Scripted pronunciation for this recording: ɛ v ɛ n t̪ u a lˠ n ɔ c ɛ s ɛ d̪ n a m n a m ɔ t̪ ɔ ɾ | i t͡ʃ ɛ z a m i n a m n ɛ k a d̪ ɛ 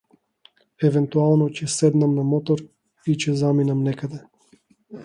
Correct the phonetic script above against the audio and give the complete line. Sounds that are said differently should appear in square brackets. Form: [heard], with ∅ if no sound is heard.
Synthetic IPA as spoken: ɛ v ɛ n t̪ u a lˠ n ɔ c ɛ s ɛ d̪ n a m n a m ɔ t̪ ɔ ɾ | i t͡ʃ ɛ z a m i n a m n ɛ k a d̪ ɛ